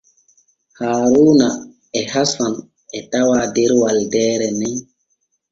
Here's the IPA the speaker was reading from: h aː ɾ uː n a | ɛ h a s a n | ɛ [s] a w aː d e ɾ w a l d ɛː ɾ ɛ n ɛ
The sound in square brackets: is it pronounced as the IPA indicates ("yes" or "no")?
no